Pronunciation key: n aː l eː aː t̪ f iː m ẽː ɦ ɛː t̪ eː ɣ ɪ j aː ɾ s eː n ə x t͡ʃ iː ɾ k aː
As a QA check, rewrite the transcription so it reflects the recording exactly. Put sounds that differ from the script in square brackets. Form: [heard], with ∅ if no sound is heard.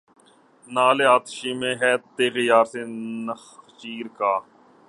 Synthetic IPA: n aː l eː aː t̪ [ʃ] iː m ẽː ɦ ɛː t̪ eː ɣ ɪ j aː ɾ s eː n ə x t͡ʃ iː ɾ k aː